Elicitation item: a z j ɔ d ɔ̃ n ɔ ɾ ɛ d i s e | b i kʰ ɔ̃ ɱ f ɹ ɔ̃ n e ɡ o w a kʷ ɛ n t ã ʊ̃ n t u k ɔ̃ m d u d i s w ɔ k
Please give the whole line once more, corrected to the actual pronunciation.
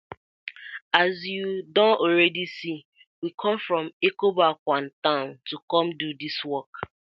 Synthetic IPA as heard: a z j u d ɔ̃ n ɔ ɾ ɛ d i s i | w i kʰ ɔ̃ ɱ f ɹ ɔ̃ m e k o b a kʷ a n t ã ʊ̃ n t u k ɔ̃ m d u d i s w ɔ k

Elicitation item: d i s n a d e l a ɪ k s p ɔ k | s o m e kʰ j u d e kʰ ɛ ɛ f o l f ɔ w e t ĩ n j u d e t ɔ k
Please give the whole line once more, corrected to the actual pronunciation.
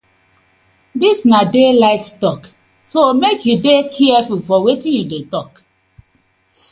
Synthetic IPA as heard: d i s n a d e l a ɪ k s t ɔ k | s o m e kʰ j u d e kʰ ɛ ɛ f u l f ɔ w e t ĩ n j u d e t ɔ k

